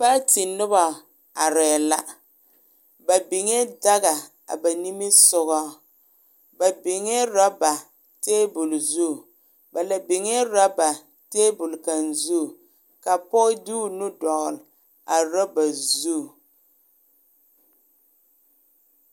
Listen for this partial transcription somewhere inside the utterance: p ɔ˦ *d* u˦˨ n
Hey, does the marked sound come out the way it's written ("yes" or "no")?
yes